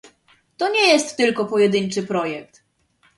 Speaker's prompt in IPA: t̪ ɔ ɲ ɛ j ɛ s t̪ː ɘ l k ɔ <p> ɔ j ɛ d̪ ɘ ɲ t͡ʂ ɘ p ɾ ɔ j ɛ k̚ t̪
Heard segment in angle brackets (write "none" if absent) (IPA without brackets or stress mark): p